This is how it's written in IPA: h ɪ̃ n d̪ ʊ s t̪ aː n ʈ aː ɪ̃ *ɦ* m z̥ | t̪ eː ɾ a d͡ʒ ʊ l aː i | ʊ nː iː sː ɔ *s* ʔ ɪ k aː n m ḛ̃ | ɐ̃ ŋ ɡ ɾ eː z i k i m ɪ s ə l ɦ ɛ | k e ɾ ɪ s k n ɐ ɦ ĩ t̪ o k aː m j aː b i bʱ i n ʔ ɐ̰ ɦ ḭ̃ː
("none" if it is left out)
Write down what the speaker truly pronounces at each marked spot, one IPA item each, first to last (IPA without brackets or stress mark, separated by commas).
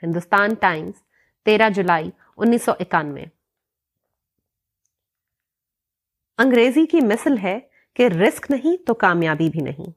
none, none